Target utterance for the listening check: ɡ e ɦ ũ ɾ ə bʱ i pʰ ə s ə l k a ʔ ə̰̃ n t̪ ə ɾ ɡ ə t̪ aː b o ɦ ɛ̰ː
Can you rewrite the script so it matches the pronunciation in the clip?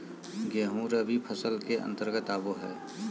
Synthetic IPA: ɡ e ɦ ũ ɾ ə bʱ i pʰ ə s ə l k e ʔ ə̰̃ n t̪ ə ɾ ɡ ə t̪ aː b o ɦ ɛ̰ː